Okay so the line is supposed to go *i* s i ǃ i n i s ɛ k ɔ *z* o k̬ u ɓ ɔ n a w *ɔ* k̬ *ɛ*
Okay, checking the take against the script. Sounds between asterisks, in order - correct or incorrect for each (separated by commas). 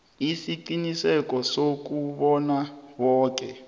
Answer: correct, incorrect, incorrect, correct